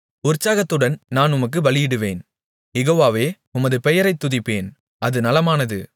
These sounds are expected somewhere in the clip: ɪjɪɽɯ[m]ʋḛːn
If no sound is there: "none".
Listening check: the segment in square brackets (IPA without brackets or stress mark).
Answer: none